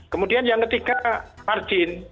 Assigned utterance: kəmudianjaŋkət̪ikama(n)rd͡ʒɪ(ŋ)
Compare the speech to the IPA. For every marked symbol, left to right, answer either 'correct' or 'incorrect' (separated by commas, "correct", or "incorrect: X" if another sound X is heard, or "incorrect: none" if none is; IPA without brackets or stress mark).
incorrect: none, incorrect: n